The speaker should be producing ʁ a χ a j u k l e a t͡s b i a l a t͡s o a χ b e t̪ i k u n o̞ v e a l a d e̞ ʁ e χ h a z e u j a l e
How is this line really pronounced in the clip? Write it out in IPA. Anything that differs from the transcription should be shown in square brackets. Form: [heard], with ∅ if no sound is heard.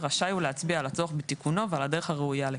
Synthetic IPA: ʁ a [ʃ] a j u [∅] l e a t͡s b i a l a t͡s o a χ b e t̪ i k u n o̞ v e a l a d e̞ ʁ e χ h a [ʁ] e u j a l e